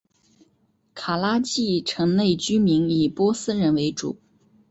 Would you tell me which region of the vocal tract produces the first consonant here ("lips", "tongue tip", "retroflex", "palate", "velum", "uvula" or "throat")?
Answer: velum